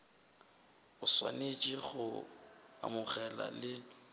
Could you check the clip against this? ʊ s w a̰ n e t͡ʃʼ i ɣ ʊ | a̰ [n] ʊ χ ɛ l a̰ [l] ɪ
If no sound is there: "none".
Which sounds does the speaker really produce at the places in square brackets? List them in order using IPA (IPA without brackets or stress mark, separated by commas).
m, l